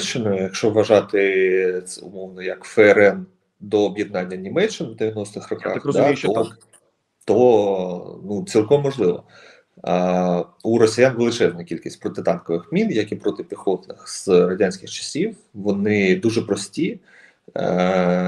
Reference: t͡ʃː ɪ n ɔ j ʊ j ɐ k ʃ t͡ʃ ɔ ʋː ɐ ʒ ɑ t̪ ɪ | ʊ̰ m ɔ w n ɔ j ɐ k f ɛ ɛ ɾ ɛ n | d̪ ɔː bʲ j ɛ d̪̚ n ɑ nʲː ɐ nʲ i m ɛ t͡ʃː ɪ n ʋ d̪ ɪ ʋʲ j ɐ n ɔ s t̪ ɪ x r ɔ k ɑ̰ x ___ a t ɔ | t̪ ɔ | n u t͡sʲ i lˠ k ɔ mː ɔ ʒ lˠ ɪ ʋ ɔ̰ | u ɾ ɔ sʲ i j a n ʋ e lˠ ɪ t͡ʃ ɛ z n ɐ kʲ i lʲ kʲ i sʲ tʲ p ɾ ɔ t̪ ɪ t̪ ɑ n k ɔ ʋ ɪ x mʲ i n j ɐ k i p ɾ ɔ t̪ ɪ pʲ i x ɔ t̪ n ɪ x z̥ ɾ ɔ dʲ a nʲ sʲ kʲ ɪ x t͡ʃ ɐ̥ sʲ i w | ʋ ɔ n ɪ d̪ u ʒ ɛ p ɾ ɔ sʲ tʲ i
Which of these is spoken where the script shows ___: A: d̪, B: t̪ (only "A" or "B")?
A